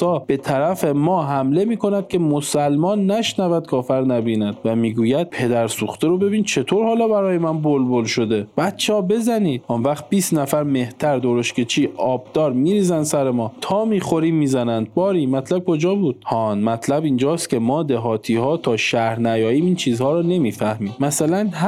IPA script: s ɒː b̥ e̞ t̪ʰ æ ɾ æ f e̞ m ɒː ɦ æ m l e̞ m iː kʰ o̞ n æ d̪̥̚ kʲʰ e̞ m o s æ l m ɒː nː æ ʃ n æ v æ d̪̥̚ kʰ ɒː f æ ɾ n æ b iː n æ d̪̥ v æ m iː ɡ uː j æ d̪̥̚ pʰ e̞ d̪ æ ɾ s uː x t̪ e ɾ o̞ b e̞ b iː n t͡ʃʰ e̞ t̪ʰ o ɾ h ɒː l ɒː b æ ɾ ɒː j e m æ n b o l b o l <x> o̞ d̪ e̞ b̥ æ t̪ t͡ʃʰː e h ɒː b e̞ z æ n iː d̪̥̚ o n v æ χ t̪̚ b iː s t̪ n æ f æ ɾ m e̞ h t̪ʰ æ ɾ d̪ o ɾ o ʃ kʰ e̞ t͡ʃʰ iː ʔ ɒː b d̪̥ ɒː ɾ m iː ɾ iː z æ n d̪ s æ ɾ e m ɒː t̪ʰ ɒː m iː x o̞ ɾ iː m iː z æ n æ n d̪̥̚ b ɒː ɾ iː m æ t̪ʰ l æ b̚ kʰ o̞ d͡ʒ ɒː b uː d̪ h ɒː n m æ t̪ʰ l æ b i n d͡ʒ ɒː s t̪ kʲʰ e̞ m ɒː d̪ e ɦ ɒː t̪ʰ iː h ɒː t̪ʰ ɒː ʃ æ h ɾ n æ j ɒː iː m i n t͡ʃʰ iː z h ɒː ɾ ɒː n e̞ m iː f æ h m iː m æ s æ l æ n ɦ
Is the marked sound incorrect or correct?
incorrect